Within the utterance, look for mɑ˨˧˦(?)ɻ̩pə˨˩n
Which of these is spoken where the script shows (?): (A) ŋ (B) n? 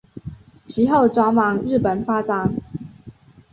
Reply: A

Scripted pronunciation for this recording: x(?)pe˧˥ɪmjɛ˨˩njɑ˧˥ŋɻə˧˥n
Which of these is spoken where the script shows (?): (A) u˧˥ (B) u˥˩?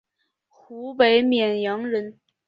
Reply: A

